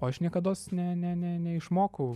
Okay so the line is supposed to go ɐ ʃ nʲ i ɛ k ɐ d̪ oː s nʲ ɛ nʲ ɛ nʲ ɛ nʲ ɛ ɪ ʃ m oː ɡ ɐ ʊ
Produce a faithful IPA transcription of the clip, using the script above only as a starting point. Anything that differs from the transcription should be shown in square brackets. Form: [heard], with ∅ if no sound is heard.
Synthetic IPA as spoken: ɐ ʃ nʲ i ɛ k ɐ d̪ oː s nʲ ɛ nʲ ɛ nʲ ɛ nʲ ɛ ɪ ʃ m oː [k] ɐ ʊ